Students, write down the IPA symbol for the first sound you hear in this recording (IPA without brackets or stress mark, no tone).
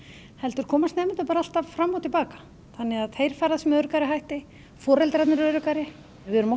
h